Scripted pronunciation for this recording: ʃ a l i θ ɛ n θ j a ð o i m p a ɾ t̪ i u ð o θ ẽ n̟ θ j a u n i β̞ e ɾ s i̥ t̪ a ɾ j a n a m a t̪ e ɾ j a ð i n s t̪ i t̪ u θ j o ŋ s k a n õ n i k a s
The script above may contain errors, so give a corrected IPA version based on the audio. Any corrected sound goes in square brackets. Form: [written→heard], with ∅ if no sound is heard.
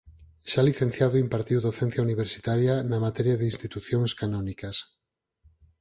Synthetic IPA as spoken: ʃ a l i θ [ɛ→e] n θ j a ð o i m p a ɾ t̪ i [u→w] ð o θ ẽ n̟ θ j a u n i β̞ e ɾ s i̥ t̪ a ɾ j a n a m a t̪ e ɾ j a ð i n s t̪ i t̪ u θ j o ŋ s k a n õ n i k a s